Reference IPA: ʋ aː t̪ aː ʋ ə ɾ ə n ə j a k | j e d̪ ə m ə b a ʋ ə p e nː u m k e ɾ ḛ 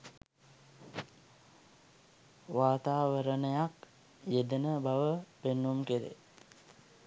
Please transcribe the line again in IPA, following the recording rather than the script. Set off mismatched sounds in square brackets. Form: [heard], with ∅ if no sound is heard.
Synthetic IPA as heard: ʋ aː t̪ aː ʋ ə ɾ ə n ə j a k | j e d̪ ə [n] ə b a ʋ ə p e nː u m k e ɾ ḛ